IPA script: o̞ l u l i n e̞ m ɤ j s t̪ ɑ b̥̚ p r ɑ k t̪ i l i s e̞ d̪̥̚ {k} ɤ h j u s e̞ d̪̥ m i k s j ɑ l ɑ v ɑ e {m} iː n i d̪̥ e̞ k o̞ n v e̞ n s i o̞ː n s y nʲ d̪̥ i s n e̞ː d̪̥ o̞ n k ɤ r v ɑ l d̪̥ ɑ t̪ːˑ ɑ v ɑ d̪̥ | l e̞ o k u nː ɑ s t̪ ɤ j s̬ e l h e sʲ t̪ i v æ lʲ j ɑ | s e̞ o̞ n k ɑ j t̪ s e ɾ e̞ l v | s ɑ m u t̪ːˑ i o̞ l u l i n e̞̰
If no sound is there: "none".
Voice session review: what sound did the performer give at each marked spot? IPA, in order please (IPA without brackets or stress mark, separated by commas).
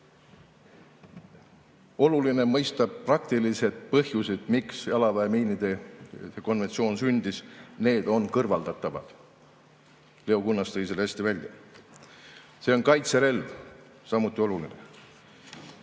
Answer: p, m